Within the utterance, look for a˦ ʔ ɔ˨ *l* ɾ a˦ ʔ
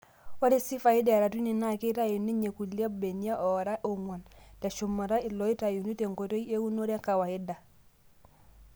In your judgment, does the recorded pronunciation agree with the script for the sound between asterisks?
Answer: no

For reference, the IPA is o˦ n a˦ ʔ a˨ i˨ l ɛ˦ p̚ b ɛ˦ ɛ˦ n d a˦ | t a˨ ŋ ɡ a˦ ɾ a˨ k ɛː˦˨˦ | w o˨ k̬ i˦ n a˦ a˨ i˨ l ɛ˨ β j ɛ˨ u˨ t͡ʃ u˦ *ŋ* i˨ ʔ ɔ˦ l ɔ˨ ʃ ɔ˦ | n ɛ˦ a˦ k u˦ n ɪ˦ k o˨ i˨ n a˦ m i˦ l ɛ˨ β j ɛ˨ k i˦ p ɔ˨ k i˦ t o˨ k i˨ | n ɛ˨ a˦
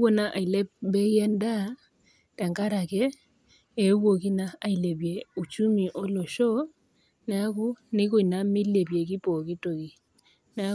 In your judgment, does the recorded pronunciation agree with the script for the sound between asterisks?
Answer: no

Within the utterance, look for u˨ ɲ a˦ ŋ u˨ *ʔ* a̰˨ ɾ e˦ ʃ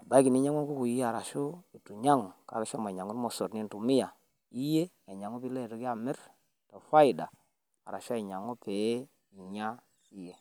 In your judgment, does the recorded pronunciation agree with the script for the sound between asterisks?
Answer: no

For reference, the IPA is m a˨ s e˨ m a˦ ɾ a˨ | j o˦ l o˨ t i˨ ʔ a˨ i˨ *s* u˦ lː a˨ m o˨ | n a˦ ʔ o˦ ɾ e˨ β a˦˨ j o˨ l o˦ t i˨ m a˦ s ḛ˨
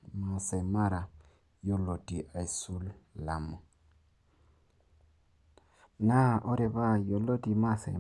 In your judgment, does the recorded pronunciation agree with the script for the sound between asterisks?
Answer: yes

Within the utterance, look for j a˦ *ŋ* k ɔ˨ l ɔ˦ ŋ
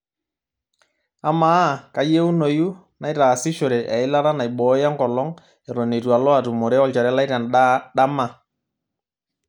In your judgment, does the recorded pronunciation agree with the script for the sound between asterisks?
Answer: yes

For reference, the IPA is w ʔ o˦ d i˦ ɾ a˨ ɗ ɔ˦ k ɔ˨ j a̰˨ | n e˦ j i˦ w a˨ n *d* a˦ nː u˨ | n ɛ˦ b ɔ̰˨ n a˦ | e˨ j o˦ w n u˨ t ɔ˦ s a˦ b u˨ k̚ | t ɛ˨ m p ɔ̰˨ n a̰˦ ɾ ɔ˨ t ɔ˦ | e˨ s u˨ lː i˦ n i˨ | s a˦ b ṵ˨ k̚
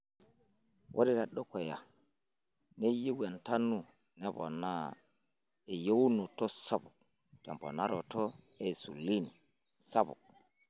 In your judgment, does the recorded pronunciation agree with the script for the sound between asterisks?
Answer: no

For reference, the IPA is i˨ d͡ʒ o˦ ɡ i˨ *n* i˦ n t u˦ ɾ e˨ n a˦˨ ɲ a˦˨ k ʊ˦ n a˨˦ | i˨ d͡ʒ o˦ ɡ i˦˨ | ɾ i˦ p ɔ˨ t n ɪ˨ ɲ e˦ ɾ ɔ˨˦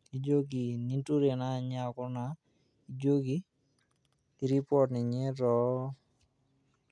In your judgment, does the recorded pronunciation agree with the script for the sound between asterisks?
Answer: yes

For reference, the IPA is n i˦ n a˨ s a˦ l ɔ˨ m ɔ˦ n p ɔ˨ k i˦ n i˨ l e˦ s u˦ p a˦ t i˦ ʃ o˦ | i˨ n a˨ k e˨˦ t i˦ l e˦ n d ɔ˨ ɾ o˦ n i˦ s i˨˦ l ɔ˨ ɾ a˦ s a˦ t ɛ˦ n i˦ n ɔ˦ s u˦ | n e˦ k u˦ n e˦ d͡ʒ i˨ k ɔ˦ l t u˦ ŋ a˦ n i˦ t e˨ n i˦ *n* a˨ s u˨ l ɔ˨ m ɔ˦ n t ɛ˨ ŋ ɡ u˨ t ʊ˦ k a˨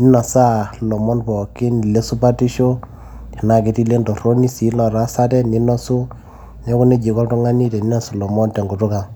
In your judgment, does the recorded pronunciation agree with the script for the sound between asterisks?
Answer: yes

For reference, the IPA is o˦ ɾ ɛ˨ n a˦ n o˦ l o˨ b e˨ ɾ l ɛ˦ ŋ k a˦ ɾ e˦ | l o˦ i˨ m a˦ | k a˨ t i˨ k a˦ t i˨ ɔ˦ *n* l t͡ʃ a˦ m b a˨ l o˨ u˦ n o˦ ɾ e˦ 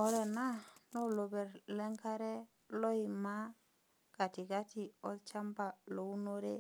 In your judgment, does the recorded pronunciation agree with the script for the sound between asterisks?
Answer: no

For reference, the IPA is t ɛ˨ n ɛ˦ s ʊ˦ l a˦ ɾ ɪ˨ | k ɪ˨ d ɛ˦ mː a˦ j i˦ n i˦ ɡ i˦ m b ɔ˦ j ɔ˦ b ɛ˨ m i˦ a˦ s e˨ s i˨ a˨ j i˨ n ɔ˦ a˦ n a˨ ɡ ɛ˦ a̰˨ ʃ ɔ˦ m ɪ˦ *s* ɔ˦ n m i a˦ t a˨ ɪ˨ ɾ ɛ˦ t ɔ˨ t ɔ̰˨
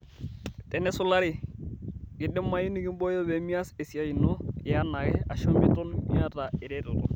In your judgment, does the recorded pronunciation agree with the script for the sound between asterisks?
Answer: no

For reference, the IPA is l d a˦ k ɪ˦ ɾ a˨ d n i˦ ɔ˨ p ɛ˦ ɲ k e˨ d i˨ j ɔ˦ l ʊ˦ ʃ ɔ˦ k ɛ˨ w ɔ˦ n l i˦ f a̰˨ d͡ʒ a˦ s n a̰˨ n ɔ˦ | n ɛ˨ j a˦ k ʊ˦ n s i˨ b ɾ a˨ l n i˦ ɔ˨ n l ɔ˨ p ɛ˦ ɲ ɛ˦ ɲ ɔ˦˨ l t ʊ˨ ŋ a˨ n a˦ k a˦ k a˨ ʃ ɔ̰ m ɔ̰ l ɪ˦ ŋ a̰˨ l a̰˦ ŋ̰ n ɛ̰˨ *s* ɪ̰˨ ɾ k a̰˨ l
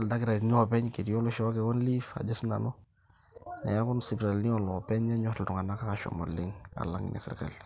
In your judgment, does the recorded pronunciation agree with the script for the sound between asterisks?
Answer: yes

